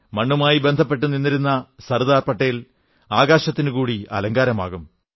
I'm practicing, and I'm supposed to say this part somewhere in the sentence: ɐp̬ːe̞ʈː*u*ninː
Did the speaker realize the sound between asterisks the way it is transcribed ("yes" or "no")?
yes